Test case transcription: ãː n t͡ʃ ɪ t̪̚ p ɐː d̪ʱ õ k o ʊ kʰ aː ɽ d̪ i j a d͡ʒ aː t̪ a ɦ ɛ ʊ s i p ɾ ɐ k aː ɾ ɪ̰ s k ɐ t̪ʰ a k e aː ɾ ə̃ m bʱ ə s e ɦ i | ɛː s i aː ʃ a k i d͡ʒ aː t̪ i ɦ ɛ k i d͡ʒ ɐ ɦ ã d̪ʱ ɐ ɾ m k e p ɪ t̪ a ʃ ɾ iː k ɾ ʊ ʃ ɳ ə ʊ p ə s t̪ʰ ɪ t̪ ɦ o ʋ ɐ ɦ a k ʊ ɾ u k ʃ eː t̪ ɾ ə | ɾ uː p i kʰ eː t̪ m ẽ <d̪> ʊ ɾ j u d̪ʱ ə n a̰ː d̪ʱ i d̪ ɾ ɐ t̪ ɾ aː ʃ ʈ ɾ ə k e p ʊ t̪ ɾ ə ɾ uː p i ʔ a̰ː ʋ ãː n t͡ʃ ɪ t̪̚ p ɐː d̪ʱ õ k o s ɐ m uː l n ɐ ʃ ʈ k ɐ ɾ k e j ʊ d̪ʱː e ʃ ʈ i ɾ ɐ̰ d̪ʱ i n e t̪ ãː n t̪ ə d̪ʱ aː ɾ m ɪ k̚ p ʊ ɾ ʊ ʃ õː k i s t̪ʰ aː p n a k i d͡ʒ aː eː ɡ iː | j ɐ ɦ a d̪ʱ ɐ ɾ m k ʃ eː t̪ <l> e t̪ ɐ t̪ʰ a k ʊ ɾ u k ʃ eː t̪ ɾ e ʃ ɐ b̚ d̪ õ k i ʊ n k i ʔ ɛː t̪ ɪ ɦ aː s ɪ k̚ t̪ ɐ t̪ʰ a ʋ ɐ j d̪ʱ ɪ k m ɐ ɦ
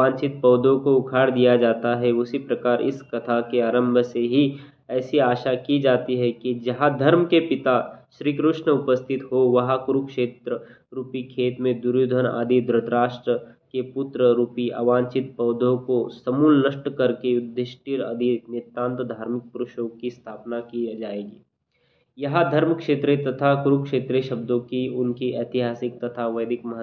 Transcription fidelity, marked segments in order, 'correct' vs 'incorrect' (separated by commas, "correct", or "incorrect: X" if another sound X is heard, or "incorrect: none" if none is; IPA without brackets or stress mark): correct, incorrect: ɾ